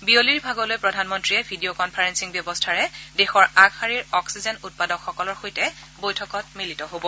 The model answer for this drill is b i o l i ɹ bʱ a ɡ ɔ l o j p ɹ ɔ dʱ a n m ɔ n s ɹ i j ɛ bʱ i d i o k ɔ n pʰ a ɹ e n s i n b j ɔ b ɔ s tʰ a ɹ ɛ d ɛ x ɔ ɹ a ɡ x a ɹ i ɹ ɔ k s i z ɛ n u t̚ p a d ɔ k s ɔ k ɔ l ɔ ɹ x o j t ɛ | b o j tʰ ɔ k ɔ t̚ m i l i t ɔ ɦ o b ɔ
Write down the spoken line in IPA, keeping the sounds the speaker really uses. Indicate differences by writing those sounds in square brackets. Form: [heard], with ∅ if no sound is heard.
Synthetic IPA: b i o l i ɹ bʱ a ɡ ɔ l o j p ɹ ɔ dʱ a n m ɔ n [t] ɹ i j ɛ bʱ i d i o k ɔ n pʰ a ɹ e n s i [ŋ] b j ɔ b ɔ s tʰ a ɹ ɛ d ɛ x ɔ ɹ a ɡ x a ɹ i ɹ ɔ k s i z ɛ n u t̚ p a d ɔ k [x] ɔ k ɔ l ɔ ɹ x o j t ɛ | b o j tʰ ɔ k ɔ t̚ m i l i t ɔ ɦ o b ɔ